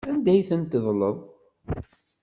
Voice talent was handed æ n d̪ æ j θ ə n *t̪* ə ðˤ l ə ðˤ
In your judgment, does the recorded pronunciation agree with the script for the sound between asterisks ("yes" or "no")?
yes